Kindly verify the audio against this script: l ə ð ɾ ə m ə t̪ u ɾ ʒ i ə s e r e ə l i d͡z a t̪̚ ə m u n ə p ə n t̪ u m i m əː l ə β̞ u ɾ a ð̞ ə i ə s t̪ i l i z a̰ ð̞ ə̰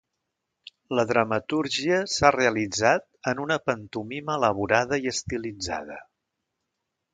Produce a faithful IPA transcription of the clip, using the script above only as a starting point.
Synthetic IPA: l ə ð ɾ ə m ə t̪ u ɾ ʒ i ə s a r e ə l i d͡z a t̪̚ ə n u n ə p ə n t̪ u m i m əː l ə β̞ u ɾ a ð̞ ə i ə s t̪ i l i d͡z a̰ ð̞ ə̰